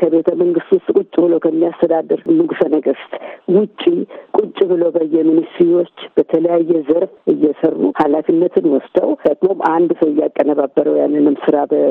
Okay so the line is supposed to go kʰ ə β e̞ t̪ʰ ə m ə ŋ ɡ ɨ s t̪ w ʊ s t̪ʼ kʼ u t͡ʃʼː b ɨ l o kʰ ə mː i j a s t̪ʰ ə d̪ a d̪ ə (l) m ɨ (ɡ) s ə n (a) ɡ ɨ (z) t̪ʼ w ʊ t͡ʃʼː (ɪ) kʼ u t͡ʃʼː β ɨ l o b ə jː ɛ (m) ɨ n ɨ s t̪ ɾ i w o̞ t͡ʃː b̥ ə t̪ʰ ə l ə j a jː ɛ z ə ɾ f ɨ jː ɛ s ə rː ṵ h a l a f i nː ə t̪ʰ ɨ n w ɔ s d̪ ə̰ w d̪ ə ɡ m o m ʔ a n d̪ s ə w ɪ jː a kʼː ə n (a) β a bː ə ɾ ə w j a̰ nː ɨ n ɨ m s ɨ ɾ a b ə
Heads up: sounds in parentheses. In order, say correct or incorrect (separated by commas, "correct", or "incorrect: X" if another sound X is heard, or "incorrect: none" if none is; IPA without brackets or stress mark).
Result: incorrect: ɾ, correct, incorrect: ə, incorrect: s, incorrect: i, correct, incorrect: ə